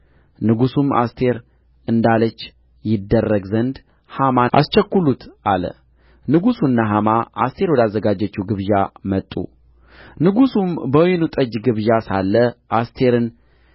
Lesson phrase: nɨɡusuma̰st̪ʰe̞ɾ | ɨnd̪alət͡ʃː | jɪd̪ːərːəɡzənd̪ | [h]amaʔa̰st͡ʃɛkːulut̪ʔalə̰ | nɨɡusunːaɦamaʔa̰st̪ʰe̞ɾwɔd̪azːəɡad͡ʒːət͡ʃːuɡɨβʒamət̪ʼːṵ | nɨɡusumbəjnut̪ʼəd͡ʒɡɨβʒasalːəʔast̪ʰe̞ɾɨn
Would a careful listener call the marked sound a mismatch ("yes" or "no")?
no